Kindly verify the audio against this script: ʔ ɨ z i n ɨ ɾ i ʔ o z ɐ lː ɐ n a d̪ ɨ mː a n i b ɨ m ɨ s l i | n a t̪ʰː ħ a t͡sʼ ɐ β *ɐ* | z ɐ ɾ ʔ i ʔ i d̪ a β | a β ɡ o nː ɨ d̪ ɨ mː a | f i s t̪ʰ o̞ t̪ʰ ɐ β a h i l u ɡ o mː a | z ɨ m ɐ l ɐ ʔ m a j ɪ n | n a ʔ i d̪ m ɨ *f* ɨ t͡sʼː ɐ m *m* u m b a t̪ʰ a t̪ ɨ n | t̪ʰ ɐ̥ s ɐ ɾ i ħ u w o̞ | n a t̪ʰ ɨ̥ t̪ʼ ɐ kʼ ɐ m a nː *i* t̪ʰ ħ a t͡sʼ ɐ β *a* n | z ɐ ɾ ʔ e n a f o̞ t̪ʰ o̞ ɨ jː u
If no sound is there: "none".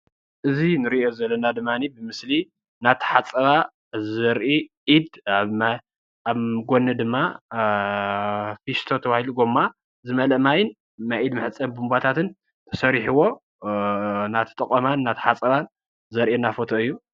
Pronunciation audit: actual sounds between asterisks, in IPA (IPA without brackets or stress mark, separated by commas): a, ħ, b, a, a